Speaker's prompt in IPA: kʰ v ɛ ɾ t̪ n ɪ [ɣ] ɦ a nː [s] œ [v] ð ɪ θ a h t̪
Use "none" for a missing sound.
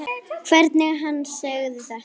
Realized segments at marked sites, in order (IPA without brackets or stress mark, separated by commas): ɣ, s, ɣ